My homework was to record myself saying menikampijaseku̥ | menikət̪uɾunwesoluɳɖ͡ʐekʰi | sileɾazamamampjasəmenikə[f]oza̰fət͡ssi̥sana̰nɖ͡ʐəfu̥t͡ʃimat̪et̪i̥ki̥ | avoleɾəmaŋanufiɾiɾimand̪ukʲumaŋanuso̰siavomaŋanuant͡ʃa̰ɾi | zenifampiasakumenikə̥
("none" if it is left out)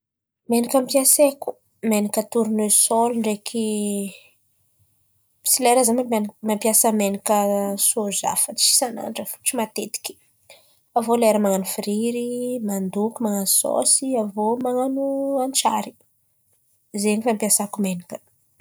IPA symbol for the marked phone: s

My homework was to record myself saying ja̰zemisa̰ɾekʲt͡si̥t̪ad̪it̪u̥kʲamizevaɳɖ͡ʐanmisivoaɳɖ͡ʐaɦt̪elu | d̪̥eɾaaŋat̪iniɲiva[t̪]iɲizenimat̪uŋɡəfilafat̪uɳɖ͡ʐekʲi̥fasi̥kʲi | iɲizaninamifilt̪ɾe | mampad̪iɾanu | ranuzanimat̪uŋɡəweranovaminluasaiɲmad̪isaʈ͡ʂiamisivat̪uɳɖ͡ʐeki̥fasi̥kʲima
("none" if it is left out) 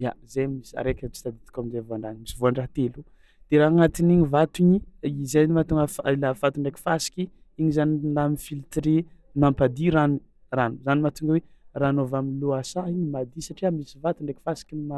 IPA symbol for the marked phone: t̪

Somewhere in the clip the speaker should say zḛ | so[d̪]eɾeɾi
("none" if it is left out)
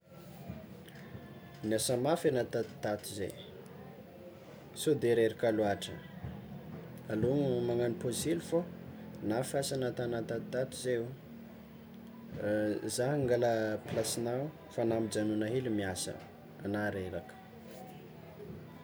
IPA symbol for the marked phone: d̪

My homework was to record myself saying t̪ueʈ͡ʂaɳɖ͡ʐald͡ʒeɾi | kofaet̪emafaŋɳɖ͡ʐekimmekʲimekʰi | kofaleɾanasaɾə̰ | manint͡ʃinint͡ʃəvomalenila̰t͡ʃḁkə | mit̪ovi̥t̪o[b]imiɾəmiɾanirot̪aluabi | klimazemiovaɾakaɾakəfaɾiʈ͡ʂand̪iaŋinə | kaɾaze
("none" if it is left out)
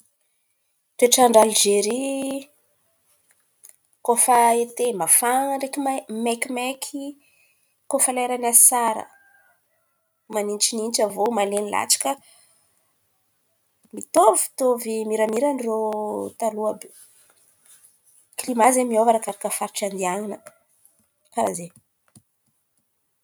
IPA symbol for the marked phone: v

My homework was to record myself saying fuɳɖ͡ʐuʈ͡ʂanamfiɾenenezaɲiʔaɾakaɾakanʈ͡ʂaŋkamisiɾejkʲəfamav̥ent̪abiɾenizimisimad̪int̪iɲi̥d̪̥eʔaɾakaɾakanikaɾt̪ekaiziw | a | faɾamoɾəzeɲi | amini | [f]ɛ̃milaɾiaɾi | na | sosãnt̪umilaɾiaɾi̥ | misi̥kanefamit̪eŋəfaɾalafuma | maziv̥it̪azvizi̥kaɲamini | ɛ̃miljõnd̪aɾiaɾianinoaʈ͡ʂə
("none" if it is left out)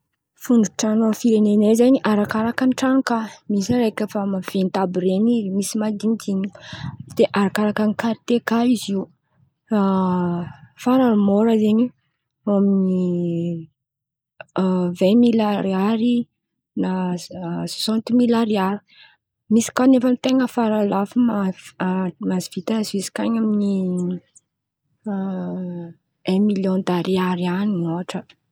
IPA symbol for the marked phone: v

